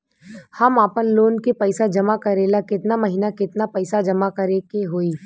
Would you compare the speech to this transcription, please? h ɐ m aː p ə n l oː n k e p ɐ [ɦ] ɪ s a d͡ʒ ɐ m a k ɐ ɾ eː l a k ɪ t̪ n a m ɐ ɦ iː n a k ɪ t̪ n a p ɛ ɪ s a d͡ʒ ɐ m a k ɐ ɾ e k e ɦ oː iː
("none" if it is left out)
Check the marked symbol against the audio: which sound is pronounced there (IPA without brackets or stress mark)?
none